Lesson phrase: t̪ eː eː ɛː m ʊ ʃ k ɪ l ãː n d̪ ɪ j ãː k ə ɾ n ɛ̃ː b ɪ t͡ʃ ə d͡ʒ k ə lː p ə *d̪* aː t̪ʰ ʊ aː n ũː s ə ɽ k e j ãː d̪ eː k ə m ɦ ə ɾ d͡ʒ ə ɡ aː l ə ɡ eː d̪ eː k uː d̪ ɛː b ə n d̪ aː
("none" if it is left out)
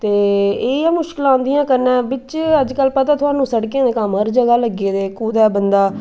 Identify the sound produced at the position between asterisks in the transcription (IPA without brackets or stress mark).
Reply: t̪